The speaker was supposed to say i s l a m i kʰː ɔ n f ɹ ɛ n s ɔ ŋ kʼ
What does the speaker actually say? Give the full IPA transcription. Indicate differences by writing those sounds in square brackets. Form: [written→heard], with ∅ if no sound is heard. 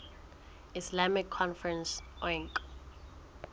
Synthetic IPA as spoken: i s l a m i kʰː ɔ n f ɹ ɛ n s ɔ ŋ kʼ